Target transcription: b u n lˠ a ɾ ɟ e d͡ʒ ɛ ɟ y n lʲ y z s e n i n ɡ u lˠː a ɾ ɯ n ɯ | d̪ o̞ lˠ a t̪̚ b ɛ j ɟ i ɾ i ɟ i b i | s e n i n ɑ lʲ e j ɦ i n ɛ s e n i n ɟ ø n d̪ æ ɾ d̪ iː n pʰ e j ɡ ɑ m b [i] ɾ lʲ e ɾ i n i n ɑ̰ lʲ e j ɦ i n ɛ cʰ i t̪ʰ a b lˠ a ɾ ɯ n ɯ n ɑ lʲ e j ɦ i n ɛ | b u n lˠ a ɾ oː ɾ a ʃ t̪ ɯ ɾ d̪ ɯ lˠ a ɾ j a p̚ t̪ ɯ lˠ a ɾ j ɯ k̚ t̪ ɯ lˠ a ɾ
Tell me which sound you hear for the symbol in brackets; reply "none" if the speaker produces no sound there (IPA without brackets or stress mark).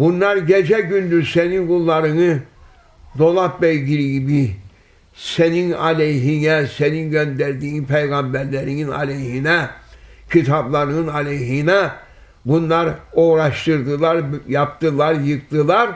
æ